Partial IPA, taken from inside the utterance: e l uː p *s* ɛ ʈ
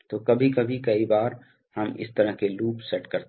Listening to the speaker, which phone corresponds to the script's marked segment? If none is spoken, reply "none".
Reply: s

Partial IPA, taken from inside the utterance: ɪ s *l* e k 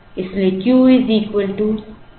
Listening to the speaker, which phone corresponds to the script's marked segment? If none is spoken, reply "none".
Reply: l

